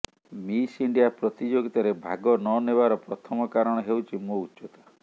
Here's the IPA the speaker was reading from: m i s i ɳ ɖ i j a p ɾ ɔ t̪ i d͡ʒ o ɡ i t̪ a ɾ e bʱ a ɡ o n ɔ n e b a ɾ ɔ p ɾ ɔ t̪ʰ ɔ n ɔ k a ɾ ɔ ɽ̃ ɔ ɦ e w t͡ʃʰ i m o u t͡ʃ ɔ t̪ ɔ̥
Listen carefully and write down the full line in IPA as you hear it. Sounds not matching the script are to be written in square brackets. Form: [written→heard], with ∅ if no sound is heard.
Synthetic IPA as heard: m i s i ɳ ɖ i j a p ɾ ɔ t̪ i d͡ʒ o ɡ i t̪ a ɾ e bʱ a ɡ [o→ɔ] n ɔ n e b a ɾ ɔ p ɾ ɔ t̪ʰ ɔ [n→m] ɔ k a ɾ ɔ ɽ̃ ɔ ɦ e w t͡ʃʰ i m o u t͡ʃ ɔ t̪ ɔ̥